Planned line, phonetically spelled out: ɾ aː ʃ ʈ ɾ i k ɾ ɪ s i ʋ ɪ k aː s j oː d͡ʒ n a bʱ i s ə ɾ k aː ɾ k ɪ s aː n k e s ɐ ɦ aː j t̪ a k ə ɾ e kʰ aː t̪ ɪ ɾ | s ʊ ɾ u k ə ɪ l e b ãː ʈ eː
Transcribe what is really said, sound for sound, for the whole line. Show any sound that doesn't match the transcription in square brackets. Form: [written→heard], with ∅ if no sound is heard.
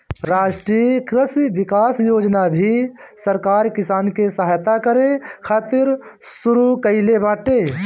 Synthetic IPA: ɾ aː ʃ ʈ ɾ i k ɾ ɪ s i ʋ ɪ k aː s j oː d͡ʒ n a bʱ i s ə ɾ k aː ɾ k ɪ s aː n k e s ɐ ɦ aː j t̪ a k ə ɾ e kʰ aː t̪ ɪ ɾ | s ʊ ɾ u k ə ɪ l e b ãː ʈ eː

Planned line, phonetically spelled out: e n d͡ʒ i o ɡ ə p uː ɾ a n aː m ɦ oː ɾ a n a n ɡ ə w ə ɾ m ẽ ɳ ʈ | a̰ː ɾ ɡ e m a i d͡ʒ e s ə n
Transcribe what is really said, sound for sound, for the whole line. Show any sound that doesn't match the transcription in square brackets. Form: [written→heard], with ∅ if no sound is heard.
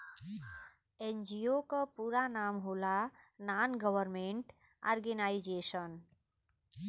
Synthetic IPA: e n d͡ʒ i o [ɡ→k] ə p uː ɾ a n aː m ɦ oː [ɾ→l] a n a n ɡ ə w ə ɾ m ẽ ɳ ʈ | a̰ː ɾ ɡ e [m→n] a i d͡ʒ e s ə n

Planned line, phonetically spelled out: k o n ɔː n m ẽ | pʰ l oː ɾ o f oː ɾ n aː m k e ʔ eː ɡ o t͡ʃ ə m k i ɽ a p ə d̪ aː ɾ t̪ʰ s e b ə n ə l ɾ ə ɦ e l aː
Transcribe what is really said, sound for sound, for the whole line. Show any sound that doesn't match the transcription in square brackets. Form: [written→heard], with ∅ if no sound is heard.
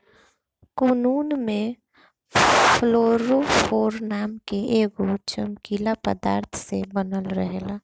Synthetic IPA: k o n [ɔː→uː] n m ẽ | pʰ l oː ɾ o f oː ɾ n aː m k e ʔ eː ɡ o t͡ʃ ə m k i [ɽ→l] a p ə d̪ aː ɾ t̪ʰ s e b ə n ə l ɾ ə ɦ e l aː

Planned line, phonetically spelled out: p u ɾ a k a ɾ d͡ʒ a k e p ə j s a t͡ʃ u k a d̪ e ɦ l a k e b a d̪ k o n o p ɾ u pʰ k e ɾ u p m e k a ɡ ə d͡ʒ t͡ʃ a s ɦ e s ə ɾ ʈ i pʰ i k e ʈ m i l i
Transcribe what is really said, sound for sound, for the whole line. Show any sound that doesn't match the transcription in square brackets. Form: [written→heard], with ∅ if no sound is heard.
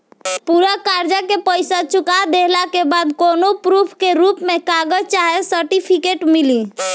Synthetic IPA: p u ɾ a k a ɾ d͡ʒ a k e p ə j s a t͡ʃ u k a d̪ e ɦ l a k e b a d̪ k o n o p ɾ u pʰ k e ɾ u p m e k a ɡ ə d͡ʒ t͡ʃ a [s→∅] ɦ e s ə ɾ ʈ i pʰ i k e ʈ m i l i

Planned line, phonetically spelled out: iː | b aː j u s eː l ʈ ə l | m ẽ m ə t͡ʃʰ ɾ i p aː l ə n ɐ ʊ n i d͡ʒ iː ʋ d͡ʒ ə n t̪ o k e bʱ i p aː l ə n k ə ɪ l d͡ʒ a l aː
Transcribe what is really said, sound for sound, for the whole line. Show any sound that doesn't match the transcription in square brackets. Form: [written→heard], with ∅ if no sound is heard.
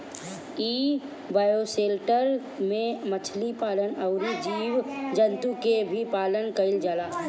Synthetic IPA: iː | b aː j [u→o] s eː l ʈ ə [l→ɾ] | m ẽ m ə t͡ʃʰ [ɾ→l] i p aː l ə n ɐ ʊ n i d͡ʒ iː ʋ d͡ʒ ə n t̪ [o→u] k e bʱ i p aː l ə n k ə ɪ l d͡ʒ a l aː

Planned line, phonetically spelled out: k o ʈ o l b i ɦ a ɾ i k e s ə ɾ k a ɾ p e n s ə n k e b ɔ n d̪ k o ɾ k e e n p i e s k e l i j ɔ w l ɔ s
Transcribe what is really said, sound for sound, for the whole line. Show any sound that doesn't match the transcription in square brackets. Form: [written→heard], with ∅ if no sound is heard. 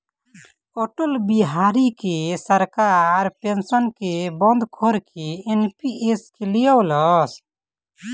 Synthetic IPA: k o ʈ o l b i ɦ a ɾ i k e s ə ɾ k a ɾ p e n s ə n k e b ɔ n d̪ [k→kʰ] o ɾ k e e n p i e s k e l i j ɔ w l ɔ s

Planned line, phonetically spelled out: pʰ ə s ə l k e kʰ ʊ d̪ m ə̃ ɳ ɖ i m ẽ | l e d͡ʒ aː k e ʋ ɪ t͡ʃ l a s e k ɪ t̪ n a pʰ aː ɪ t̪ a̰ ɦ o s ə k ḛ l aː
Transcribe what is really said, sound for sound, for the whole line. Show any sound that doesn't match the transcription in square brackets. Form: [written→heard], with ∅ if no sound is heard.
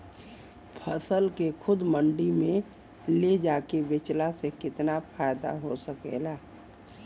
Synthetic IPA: pʰ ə s ə l k e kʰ ʊ d̪ m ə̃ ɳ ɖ i m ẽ | l e d͡ʒ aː k e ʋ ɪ t͡ʃ l a s e k ɪ t̪ n a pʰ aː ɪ [t̪→d̪] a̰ ɦ o s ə k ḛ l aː

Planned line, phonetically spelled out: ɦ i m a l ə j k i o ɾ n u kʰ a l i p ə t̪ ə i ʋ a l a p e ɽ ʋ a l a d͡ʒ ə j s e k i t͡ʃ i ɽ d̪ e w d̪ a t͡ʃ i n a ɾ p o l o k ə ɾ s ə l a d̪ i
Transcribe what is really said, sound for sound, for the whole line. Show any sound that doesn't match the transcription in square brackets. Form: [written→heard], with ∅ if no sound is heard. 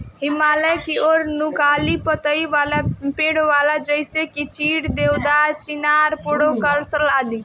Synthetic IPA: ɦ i m a l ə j k i o ɾ n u [kʰ→k] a l i p ə t̪ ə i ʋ a l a p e ɽ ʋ a l a d͡ʒ ə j s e k i t͡ʃ i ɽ d̪ e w d̪ a t͡ʃ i n a ɾ p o [l→ɽ] o k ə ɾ s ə l a d̪ i

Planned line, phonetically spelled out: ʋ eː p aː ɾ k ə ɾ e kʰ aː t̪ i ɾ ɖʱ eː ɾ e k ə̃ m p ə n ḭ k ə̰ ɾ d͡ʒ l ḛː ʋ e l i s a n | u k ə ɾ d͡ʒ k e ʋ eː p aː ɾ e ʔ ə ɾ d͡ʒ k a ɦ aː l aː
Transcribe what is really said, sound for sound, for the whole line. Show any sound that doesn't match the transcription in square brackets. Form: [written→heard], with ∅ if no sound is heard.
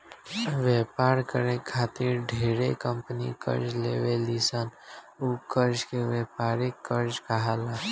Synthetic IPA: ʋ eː p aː ɾ k ə ɾ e kʰ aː t̪ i ɾ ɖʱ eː ɾ e k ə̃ m p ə n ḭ k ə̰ ɾ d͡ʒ l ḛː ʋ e l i s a n | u k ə ɾ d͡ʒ k e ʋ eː p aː ɾ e [ʔ→k] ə ɾ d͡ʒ k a ɦ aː l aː

